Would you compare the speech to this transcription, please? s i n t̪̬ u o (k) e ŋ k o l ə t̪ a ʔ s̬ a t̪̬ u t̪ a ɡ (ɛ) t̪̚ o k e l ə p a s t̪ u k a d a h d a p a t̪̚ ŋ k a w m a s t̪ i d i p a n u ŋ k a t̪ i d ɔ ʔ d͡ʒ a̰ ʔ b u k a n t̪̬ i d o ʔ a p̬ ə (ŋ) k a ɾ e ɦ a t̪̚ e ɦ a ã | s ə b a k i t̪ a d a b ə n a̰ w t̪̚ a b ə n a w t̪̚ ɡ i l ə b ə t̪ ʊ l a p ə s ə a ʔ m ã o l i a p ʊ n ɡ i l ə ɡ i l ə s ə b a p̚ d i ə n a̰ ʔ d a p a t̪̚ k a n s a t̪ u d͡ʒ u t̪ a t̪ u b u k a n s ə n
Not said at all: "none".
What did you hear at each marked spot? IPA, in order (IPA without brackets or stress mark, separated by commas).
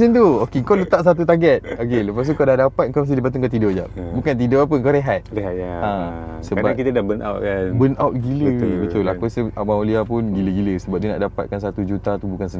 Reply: k, ɛ, ŋ